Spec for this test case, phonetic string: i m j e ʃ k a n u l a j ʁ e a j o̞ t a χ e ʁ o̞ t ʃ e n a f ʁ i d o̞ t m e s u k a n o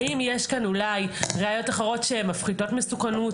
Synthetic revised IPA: i m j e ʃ k a n u l a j ʁ e a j o̞ t a χ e ʁ o̞ t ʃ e m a f χ i d o̞ t m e s u k a n u